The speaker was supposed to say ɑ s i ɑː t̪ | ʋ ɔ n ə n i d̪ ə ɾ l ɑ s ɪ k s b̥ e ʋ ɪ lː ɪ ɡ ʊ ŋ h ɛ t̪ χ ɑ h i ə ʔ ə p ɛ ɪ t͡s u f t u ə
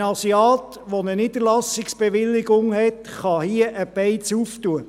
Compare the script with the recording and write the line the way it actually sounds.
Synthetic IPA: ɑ s i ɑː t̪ | ʋ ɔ n ə n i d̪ ə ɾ l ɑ s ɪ k s b̥ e ʋ ɪ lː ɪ ɡ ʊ ŋ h ɛ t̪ χ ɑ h i ə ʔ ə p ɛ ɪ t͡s u f t u ə